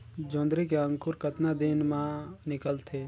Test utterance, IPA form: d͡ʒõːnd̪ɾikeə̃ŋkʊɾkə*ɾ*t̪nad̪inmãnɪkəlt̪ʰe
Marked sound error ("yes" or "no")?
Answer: yes